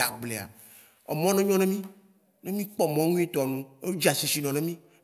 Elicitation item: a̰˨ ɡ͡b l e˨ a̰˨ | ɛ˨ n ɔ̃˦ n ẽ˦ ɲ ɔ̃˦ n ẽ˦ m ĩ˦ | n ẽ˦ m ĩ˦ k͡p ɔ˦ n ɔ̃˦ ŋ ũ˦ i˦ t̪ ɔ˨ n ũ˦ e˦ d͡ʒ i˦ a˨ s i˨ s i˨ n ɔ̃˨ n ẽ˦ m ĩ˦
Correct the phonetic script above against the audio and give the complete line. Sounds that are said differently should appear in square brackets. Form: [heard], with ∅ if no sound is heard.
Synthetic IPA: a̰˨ ɡ͡b l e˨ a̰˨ | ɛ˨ [m] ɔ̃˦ n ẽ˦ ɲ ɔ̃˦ n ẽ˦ m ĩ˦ | n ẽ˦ m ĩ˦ k͡p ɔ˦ [m] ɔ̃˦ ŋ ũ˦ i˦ t̪ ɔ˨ n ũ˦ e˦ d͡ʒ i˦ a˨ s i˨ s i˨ n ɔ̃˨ n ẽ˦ m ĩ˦